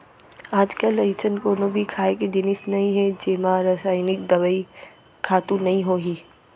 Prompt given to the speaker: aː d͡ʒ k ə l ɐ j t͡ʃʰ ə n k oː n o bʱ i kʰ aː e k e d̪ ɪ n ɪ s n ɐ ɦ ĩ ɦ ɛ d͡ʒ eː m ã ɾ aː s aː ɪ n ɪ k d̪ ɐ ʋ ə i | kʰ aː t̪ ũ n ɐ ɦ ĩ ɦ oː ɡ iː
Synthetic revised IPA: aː d͡ʒ k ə l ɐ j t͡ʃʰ ə n k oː n o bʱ i kʰ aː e k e d̪ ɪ n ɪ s n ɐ ɦ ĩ ɦ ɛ d͡ʒ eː m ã ɾ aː s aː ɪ n ɪ k d̪ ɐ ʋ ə i | kʰ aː t̪ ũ n ɐ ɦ ĩ ɦ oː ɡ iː